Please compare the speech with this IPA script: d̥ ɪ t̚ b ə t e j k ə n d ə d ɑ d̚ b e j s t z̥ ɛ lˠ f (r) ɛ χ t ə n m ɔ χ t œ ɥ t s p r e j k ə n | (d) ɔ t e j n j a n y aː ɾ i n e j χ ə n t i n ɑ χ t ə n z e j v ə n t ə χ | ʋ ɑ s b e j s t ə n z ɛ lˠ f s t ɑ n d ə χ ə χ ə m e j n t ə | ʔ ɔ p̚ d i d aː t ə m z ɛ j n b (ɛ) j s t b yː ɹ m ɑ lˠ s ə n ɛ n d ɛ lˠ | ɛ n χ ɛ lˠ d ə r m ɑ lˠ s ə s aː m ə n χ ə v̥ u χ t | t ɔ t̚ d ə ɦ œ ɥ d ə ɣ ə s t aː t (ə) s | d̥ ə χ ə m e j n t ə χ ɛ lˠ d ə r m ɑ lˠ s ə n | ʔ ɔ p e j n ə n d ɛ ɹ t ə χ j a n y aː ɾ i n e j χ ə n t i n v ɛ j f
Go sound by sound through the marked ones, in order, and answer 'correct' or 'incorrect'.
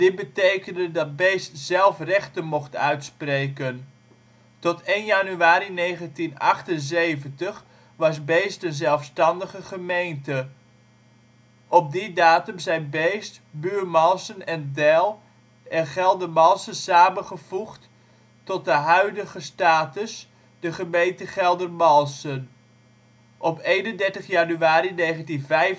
correct, incorrect, incorrect, correct

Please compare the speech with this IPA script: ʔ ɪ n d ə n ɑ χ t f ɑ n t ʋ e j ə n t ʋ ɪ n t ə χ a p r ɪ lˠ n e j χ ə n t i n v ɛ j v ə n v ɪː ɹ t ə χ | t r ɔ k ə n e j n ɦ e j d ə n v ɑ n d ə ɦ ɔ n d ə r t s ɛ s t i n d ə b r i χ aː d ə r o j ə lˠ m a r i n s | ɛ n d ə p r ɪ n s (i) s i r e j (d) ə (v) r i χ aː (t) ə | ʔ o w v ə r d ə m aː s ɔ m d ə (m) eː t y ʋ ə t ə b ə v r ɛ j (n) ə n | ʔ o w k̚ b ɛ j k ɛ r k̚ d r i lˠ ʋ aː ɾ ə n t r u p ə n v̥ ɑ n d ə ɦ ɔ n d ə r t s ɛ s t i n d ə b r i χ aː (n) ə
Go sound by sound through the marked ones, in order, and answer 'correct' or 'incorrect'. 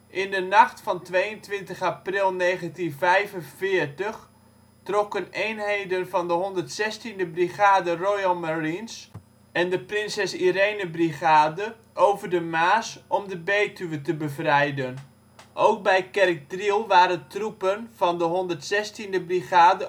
incorrect, incorrect, incorrect, incorrect, incorrect, incorrect, incorrect

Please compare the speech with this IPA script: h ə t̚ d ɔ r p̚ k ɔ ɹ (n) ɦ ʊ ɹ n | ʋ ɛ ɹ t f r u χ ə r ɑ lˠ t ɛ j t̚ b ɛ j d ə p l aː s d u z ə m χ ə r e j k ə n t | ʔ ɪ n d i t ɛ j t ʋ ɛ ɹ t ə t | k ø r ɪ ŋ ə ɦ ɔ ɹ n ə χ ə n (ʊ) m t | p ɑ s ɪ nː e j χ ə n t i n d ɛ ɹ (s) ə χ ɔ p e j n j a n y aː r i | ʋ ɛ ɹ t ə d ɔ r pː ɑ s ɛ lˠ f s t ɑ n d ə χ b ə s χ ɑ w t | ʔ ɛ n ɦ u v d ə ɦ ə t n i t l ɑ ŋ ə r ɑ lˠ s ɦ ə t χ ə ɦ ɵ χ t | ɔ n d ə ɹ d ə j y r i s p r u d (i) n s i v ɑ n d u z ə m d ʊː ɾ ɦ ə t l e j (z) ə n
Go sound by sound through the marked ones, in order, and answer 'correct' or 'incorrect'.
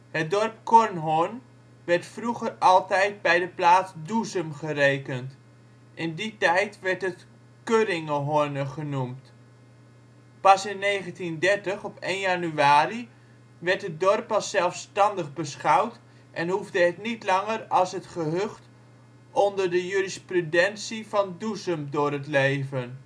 correct, incorrect, incorrect, incorrect, incorrect

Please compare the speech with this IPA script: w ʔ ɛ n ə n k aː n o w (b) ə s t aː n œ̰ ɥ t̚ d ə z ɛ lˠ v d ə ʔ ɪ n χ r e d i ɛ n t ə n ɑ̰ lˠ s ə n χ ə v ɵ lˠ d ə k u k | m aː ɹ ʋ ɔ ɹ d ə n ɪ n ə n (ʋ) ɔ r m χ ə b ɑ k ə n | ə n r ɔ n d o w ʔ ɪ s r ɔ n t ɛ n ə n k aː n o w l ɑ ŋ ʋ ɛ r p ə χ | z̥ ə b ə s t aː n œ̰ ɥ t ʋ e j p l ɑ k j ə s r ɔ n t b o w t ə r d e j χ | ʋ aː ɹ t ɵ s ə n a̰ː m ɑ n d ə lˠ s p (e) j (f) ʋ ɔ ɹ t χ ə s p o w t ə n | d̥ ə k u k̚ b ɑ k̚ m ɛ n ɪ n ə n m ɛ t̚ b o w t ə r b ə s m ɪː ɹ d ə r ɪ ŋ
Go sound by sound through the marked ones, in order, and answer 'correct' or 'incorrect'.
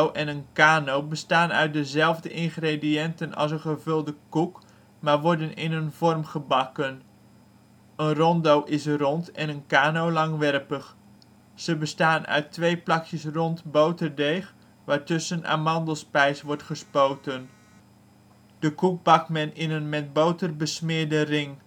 correct, incorrect, incorrect, incorrect

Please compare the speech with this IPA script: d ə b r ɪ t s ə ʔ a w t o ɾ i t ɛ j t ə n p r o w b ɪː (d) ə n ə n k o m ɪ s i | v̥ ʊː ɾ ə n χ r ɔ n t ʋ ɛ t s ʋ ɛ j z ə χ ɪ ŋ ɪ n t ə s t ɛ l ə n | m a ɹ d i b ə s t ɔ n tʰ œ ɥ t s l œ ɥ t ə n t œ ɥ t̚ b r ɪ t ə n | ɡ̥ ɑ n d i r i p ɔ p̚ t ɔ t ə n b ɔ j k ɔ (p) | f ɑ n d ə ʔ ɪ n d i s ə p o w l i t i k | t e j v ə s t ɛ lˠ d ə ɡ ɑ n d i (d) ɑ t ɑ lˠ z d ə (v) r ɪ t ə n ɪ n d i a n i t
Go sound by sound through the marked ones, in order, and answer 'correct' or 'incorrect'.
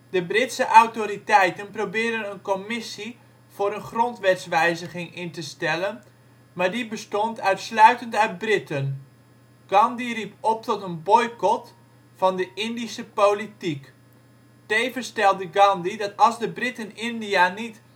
correct, incorrect, correct, incorrect

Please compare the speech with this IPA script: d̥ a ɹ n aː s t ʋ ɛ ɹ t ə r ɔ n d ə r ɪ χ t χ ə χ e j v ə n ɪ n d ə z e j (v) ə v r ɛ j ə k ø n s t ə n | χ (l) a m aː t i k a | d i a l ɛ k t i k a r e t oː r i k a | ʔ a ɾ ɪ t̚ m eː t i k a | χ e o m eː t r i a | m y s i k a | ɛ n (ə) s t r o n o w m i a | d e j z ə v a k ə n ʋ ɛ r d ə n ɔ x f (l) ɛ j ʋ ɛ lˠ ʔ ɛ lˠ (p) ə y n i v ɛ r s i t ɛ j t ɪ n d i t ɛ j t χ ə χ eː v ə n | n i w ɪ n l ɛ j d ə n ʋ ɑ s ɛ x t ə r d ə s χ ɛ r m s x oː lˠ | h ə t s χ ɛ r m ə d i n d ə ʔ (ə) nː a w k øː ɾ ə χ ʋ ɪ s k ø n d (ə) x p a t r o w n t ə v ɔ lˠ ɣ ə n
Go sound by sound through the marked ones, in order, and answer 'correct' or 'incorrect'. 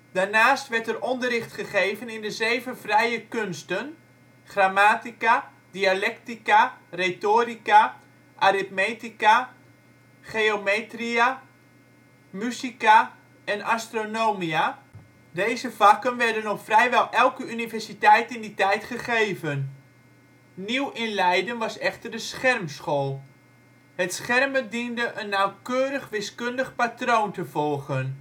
correct, incorrect, incorrect, incorrect, incorrect, correct, correct

